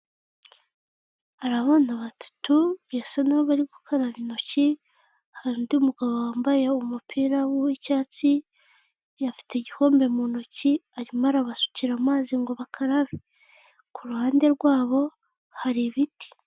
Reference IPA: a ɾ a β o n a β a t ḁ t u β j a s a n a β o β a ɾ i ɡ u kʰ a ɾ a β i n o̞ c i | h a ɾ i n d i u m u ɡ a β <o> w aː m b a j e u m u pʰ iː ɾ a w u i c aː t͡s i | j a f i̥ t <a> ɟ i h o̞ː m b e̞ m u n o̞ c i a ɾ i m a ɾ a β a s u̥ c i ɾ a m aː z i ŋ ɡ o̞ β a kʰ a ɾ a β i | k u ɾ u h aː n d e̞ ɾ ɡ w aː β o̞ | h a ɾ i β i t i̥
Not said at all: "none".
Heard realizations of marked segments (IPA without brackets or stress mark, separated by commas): o, e